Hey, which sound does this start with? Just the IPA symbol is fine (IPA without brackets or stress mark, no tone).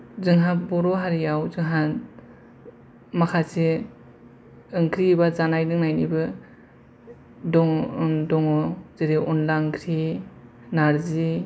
z